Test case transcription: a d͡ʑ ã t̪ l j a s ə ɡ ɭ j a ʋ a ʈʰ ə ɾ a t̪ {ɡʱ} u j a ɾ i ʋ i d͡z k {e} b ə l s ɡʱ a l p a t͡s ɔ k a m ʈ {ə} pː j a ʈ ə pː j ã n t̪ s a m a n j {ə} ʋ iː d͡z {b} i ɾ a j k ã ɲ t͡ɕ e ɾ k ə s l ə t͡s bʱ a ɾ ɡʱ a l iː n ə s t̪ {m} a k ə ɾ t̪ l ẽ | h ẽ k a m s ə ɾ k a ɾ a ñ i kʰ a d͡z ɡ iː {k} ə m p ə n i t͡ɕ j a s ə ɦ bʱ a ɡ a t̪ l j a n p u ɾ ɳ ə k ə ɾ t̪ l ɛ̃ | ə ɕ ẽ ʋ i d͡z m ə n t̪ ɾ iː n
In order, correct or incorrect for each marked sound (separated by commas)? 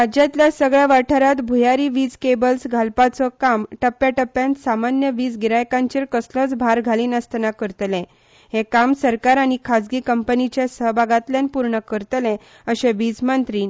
incorrect, correct, correct, correct, incorrect, incorrect, correct